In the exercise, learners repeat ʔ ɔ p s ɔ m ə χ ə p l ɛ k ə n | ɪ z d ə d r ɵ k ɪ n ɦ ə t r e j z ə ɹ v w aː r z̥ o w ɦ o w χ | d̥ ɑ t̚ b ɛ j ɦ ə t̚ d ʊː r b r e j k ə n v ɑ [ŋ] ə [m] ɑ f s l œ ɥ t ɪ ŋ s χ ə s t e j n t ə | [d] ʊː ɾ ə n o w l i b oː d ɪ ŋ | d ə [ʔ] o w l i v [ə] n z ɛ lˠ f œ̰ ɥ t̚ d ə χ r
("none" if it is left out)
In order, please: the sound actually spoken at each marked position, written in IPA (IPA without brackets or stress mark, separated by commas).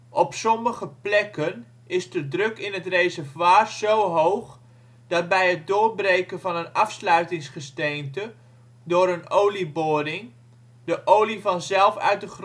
n, n, d, ʔ, ɑ